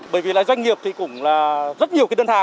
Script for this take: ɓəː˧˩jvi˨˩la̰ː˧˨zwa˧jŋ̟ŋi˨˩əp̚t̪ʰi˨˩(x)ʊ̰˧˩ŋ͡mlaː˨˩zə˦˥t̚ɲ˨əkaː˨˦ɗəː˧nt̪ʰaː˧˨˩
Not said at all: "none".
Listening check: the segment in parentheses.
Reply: k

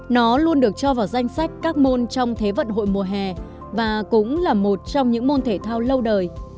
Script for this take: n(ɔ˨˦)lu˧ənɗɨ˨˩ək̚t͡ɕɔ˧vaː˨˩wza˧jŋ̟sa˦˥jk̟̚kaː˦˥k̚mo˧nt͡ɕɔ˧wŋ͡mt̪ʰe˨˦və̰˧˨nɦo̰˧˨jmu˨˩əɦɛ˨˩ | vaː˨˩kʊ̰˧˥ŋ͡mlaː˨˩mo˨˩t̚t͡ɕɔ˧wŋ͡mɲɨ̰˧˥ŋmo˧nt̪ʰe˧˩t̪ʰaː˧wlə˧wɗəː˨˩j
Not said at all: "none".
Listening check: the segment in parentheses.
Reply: ɔ˨˦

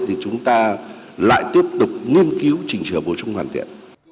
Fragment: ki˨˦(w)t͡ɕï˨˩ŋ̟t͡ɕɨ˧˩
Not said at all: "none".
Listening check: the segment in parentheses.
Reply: w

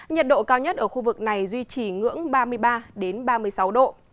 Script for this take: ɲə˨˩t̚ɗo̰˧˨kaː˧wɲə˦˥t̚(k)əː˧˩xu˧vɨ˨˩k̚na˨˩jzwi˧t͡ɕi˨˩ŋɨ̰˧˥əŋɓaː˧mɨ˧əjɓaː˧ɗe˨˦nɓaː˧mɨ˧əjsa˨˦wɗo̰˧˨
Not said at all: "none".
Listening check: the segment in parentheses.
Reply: ʔ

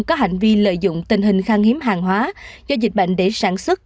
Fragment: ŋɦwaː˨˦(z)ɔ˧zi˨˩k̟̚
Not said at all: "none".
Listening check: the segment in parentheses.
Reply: z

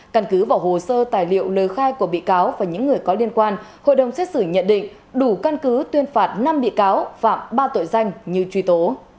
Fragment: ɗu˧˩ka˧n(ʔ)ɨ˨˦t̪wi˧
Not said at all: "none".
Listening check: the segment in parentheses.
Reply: k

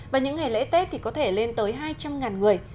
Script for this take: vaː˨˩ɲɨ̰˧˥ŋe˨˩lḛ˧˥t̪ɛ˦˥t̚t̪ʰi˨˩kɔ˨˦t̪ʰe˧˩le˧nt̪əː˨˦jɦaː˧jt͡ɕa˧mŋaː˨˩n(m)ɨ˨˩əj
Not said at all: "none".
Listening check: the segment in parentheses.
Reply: ŋ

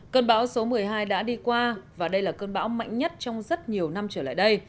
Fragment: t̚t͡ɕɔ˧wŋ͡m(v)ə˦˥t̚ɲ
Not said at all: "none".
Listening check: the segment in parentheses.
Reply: z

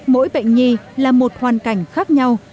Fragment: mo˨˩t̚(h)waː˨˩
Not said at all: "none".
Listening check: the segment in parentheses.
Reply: h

